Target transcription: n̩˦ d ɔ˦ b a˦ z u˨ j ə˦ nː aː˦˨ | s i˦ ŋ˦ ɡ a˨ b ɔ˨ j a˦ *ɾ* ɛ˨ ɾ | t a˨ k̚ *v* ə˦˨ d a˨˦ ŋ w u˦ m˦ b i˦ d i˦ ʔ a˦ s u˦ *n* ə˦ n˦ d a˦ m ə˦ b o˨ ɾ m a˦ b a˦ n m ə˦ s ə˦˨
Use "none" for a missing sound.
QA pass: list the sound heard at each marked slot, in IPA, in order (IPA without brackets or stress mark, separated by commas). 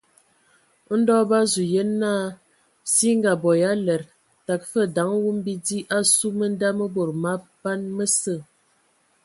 l, f, m